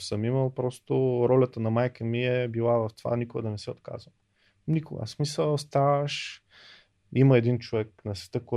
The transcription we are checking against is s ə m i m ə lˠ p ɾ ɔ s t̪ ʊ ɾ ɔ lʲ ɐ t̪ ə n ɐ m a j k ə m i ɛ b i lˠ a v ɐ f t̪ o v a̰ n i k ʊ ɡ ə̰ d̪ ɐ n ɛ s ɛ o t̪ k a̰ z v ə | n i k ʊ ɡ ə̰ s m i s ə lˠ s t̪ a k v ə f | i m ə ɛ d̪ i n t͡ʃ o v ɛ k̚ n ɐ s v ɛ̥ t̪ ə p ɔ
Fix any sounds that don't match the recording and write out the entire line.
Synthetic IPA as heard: s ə m i m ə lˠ p ɾ ɔ s t̪ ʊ ɾ ɔ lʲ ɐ t̪ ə n ɐ m a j k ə m i ɛ b i lˠ a v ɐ f t̪ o v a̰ n i k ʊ ɡ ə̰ d̪ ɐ n ɛ s ɛ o t̪ k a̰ z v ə | n i k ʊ ɡ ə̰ s m i s ə lˠ s t̪ a v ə ʃ | i m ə ɛ d̪ i n t͡ʃ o v ɛ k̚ n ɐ s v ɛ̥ t̪ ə k ɔ